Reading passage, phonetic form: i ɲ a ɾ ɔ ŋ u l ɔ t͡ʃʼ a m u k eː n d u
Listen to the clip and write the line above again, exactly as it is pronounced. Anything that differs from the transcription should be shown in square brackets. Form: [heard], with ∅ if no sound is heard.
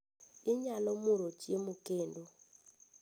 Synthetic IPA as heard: i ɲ a [l] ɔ [m] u [ɾ] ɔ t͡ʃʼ [e] m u k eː n d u